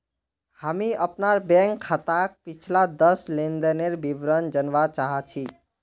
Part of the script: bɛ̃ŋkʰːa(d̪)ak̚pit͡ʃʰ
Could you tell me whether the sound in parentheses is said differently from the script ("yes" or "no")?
yes